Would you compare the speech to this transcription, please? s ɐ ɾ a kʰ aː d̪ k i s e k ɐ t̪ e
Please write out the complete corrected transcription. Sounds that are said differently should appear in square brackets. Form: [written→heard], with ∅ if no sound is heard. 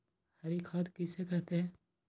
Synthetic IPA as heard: [s→h] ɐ ɾ [a→i] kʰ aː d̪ k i s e k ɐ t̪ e